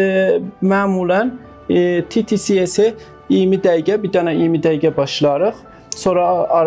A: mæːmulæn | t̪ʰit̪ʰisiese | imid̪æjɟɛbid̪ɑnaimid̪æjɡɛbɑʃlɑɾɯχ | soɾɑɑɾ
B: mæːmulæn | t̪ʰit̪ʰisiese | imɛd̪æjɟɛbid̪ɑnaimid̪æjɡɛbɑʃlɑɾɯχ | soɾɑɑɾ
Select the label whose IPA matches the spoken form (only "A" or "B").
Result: A